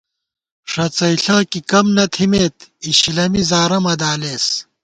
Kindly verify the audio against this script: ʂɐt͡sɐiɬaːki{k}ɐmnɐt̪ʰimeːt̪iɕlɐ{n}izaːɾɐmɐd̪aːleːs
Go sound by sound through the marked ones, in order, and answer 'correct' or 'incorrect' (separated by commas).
correct, incorrect